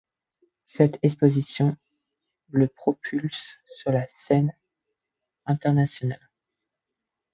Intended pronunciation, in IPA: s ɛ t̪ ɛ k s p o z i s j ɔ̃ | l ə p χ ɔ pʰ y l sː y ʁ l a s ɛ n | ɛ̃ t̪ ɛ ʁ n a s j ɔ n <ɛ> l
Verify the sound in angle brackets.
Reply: incorrect: a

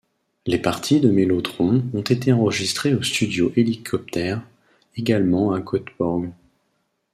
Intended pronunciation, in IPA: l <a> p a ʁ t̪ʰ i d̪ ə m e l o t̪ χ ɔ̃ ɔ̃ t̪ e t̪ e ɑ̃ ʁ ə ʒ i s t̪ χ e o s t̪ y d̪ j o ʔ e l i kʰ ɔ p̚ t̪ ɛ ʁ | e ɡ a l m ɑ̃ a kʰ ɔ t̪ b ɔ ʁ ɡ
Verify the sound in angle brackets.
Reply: incorrect: e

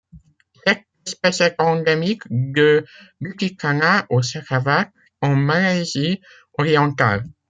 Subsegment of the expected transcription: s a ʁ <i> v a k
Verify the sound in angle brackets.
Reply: incorrect: a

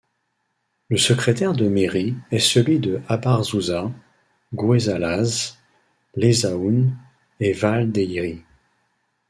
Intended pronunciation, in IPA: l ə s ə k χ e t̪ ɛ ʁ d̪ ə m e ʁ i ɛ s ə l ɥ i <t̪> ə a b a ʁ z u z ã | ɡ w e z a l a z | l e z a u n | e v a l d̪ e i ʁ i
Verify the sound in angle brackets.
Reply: incorrect: d̪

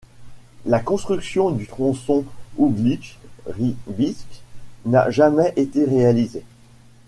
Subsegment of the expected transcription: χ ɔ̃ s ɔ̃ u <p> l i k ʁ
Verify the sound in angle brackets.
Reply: incorrect: b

